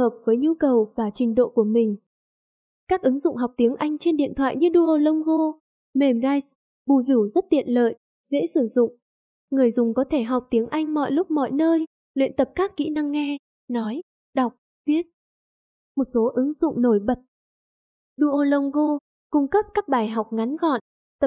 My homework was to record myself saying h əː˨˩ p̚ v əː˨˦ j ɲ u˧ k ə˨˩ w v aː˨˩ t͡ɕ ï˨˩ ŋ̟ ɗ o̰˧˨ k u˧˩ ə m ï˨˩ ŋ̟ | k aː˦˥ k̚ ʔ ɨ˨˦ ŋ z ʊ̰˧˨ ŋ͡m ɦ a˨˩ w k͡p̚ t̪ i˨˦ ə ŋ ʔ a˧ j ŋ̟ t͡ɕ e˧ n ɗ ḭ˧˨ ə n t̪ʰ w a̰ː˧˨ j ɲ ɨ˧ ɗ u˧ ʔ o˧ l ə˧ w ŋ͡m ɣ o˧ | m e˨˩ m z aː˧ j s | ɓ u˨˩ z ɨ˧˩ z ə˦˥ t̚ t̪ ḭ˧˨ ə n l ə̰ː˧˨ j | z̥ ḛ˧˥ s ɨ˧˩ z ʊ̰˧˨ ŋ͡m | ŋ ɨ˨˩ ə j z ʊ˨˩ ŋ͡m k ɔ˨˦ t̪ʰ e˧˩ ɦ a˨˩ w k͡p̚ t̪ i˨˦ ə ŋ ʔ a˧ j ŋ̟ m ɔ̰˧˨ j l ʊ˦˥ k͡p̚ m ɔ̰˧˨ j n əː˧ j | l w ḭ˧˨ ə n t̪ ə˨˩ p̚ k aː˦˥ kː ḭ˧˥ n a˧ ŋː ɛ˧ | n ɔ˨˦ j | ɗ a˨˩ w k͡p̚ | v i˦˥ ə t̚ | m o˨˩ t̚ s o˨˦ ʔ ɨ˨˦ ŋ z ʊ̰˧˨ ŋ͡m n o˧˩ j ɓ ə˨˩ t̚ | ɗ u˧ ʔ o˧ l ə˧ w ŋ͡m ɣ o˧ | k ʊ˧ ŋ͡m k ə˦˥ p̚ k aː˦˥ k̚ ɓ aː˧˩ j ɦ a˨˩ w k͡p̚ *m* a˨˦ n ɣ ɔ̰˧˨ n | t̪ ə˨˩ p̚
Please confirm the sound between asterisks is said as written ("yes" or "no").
no